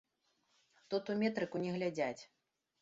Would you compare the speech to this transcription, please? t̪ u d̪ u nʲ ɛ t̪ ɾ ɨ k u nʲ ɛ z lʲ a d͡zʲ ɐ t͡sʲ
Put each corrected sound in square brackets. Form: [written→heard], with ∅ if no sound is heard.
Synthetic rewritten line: t̪ u [d̪→t̪] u [nʲ→mʲ] ɛ t̪ ɾ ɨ k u nʲ ɛ [z→ɣ] lʲ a d͡zʲ [ɐ→a] t͡sʲ